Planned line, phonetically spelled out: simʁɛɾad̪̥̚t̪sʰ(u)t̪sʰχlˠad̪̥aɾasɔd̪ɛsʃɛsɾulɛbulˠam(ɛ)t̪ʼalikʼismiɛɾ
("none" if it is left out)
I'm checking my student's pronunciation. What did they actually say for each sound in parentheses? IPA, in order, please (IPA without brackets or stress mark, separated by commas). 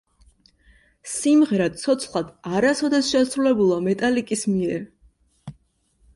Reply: ɔ, ɛ